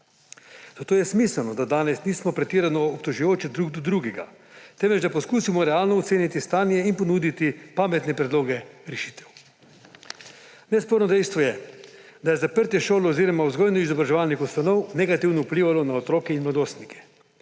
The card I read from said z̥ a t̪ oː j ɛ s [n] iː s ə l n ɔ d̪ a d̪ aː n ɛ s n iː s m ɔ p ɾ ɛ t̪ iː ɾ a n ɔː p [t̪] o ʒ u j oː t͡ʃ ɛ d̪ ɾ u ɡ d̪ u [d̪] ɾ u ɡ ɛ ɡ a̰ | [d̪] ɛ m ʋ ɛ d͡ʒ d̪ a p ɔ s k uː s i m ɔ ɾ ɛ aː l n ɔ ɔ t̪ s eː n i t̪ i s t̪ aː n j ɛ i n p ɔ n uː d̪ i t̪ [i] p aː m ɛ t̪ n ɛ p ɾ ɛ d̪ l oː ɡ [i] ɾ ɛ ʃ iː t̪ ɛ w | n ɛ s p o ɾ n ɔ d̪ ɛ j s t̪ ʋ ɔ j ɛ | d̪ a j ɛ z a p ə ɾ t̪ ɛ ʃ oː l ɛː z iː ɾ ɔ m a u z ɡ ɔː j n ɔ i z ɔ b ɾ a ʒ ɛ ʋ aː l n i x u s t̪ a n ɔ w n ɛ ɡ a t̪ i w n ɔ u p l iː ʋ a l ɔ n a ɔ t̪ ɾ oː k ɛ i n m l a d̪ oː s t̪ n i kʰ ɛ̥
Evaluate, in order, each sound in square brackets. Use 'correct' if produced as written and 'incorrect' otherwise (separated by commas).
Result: incorrect, correct, correct, incorrect, correct, incorrect